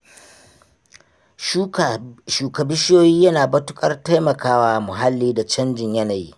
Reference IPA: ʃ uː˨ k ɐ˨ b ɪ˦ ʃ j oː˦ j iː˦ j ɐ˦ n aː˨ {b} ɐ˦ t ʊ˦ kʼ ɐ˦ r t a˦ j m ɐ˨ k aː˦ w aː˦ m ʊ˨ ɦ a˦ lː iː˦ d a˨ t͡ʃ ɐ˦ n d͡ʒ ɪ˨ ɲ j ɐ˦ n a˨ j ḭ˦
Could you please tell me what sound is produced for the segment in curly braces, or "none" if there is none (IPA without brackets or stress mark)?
b